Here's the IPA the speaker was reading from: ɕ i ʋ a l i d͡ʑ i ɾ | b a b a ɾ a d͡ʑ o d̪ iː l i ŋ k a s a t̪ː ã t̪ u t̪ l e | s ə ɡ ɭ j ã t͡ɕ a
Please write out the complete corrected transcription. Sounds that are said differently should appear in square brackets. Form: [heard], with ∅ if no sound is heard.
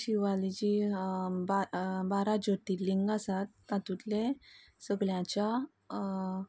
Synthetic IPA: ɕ i ʋ a l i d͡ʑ i [∅] | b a b a ɾ a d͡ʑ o [t̪] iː l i ŋ [ɡ] a s a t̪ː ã t̪ u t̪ l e | s ə ɡ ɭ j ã t͡ɕ a